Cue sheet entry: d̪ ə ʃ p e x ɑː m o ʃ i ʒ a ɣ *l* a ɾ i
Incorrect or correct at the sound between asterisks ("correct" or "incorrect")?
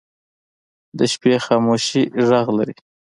correct